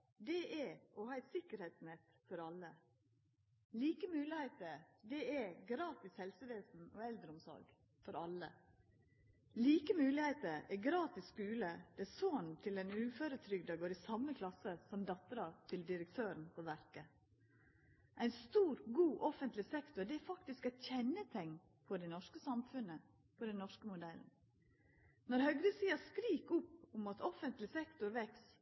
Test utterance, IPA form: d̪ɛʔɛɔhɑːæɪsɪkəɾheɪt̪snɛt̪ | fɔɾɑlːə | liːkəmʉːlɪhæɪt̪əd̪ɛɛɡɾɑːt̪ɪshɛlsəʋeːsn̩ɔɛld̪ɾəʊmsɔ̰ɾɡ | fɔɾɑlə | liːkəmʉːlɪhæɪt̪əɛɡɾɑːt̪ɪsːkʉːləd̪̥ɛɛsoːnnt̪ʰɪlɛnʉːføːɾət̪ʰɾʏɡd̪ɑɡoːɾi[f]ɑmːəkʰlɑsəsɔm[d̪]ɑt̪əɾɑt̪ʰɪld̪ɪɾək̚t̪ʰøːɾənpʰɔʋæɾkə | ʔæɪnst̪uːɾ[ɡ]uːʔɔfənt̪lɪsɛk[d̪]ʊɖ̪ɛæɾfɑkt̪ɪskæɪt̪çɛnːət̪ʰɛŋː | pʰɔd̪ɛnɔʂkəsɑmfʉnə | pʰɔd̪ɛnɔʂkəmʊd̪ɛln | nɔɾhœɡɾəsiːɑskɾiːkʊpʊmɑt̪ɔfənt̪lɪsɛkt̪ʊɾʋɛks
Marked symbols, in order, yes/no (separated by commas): no, yes, yes, no